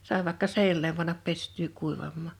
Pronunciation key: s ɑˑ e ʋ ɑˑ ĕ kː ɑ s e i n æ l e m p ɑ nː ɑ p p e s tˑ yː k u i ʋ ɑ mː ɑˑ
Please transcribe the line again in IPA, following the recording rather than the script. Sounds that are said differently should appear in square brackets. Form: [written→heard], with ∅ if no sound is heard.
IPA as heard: s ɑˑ e ʋ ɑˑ ĕ kː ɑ s e i n æ l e m p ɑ nː ɑ p p e s tˑ yː k u i ʋ ɑ mː ɑˑ